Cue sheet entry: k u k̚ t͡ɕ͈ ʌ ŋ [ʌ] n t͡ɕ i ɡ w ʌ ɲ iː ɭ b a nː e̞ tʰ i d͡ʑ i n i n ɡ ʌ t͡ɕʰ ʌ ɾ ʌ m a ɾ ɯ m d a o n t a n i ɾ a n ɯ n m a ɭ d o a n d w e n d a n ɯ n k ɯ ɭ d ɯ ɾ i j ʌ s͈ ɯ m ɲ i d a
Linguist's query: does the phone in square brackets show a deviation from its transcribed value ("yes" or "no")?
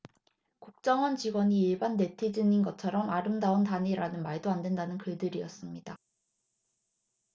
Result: no